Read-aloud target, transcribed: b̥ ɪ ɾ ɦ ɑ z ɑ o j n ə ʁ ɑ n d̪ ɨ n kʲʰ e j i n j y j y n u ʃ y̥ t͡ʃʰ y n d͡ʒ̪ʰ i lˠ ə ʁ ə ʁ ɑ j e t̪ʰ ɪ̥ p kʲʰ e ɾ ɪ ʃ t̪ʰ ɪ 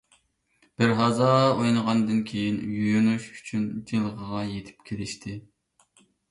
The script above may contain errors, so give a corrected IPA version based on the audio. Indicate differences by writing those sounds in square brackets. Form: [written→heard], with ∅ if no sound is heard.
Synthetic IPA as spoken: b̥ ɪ ɾ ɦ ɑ z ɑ o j n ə ʁ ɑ n d̪ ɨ n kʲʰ e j i n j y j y n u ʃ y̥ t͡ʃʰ y n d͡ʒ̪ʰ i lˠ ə ʁ ə ʁ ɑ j e t̪ʰ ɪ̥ p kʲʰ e [ɾ→l] ɪ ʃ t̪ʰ ɪ